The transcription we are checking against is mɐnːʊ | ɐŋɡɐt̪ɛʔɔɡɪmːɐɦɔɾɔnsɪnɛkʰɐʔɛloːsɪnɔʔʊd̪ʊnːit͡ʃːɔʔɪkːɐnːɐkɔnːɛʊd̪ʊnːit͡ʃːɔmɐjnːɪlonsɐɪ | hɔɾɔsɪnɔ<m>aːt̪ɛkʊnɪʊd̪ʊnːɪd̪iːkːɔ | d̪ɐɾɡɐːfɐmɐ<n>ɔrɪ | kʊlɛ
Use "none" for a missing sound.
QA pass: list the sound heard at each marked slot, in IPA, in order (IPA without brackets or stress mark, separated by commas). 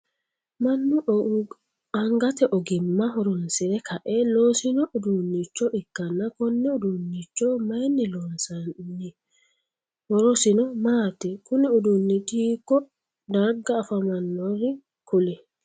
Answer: m, nː